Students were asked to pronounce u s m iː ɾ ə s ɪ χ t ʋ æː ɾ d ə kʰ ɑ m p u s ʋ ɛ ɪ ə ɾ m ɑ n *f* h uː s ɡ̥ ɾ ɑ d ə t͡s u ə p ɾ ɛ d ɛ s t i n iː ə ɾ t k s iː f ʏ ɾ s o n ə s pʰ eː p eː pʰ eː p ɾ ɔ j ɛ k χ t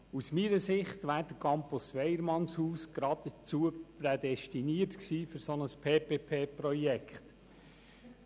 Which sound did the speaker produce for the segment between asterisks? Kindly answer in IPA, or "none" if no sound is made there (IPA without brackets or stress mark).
s